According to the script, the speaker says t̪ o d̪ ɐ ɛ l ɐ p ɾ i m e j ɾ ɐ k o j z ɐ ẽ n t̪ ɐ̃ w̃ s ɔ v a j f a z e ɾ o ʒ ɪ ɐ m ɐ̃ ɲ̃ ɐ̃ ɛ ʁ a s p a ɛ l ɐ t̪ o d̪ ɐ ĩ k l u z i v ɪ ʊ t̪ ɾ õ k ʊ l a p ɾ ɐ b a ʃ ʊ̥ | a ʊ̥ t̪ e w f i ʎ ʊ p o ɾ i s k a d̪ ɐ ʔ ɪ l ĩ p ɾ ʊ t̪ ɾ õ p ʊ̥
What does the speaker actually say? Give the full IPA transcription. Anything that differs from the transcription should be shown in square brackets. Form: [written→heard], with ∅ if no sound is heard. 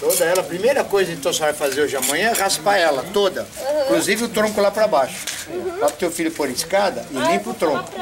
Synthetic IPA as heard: t̪ o d̪ ɐ ɛ l ɐ p ɾ i m e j ɾ ɐ k o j z ɐ ẽ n t̪ ɐ̃ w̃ s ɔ v a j f a z e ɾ o ʒ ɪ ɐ m ɐ̃ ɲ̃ ɐ̃ ɛ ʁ a s p a ɛ l ɐ t̪ o d̪ ɐ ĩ k l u z i v ɪ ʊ t̪ ɾ õ k ʊ l a p ɾ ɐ b a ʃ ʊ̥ | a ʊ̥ t̪ e w f i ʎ ʊ p o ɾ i s k a d̪ ɐ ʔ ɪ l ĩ p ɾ ʊ t̪ ɾ õ [p→k] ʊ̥

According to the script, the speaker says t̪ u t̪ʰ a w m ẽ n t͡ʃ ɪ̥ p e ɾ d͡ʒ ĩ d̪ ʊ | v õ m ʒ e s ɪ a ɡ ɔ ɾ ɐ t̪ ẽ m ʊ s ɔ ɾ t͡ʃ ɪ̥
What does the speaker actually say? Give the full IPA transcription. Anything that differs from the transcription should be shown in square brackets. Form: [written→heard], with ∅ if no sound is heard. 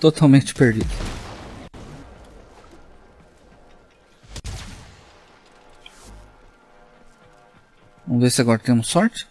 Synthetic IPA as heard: t̪ [u→o] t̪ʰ a w m ẽ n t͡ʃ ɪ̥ p e ɾ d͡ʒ [ĩ→i] d̪ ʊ | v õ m [ʒ→v] e s ɪ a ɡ ɔ ɾ ɐ t̪ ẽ m ʊ s ɔ ɾ t͡ʃ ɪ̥

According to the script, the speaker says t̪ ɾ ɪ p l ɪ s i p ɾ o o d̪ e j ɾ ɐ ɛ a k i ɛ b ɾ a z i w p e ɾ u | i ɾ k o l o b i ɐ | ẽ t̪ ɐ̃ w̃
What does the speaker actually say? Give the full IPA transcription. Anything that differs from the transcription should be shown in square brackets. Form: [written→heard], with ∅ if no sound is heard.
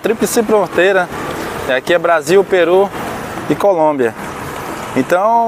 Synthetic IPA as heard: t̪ ɾ [ɪ→i] p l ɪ s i p ɾ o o [d̪→t̪] e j ɾ ɐ ɛ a k i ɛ b ɾ a z i w p e ɾ u | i [ɾ→∅] k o l [o→õ] b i ɐ | ẽ t̪ ɐ̃ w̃

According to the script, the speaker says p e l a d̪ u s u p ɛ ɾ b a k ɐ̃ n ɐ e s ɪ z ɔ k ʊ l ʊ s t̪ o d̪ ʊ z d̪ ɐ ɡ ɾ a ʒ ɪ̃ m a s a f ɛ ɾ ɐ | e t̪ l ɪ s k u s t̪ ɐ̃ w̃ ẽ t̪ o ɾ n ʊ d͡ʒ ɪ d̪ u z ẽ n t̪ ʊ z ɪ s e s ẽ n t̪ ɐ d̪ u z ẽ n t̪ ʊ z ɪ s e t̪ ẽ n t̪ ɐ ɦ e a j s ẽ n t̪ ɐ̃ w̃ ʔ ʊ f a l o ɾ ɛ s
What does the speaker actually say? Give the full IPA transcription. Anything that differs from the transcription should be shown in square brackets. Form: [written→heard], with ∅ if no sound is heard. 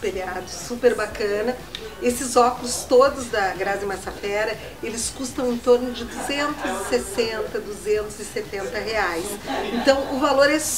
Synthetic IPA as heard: p e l a d̪ [u→ʊ] s u p [ɛ→e] ɾ b a k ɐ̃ n ɐ e s ɪ z ɔ k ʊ l ʊ s t̪ o d̪ ʊ z d̪ ɐ ɡ ɾ a [ʒ→z] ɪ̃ m a s a f ɛ ɾ ɐ | e [t̪→∅] l ɪ s k u s t̪ ɐ̃ w̃ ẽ t̪ o ɾ n ʊ d͡ʒ ɪ d̪ u z ẽ n t̪ ʊ z ɪ s e s ẽ n t̪ ɐ d̪ u z ẽ n t̪ ʊ z ɪ s e t̪ ẽ n t̪ ɐ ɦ e a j s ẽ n t̪ ɐ̃ w̃ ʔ ʊ [f→v] a l o ɾ ɛ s

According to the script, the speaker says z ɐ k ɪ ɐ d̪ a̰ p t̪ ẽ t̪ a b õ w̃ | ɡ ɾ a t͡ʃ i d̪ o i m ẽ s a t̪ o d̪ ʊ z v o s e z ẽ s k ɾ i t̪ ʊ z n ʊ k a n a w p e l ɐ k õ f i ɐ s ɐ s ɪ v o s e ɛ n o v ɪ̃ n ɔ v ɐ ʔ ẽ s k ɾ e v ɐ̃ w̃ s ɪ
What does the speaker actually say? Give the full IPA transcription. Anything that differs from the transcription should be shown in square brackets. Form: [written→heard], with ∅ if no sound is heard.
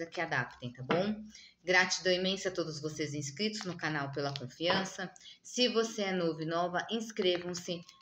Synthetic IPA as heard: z ɐ k ɪ [ɐ→a] d̪ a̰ p t̪ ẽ t̪ a b õ w̃ | ɡ ɾ a t͡ʃ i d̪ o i m ẽ s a t̪ o d̪ ʊ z v o s e z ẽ s k ɾ i t̪ ʊ z n ʊ k a n a w p e l ɐ k õ f i [ɐ→ɐ̃] s ɐ s ɪ v o s e ɛ n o v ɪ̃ n ɔ v ɐ ʔ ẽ s k ɾ e v ɐ̃ w̃ s ɪ

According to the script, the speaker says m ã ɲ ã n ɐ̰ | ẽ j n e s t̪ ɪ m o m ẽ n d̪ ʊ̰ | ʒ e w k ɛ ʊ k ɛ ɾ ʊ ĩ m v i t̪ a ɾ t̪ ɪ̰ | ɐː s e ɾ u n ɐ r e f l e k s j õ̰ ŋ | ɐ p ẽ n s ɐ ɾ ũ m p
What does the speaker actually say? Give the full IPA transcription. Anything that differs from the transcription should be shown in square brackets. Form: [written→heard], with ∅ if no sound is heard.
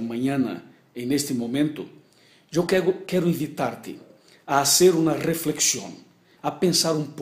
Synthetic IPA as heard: m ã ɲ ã n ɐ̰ | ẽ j n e s t̪ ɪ m o m ẽ n [d̪→t̪] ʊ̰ | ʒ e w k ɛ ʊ k ɛ ɾ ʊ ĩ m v i t̪ a ɾ t̪ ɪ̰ | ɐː s e ɾ u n ɐ r e f l e k s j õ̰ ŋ | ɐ p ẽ n s [ɐ→a] ɾ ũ m p

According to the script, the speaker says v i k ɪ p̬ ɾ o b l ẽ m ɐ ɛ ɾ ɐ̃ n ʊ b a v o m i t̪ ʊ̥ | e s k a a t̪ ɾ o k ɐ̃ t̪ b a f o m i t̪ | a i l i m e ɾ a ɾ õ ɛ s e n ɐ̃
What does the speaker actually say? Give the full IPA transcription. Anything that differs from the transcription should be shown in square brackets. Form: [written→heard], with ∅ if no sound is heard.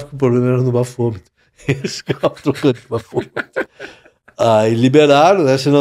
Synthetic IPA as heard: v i k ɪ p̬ ɾ o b l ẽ m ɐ ɛ ɾ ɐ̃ n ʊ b a [v→f] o m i t̪ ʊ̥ | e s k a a t̪ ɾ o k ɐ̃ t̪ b a f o m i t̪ | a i l i [m→b] e ɾ a ɾ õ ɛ s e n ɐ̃

